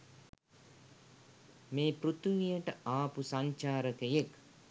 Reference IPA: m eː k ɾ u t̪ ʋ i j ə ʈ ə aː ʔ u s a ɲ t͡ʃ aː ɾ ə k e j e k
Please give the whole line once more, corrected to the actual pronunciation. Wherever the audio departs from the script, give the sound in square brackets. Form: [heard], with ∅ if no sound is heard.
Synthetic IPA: m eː [p] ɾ u t̪ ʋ i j ə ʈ ə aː [p] u s a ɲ t͡ʃ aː ɾ ə k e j e k